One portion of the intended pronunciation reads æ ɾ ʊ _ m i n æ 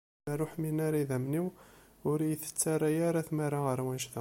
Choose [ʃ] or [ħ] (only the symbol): ħ